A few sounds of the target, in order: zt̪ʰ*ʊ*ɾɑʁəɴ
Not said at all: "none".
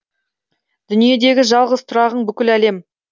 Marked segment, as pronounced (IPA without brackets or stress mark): ʊ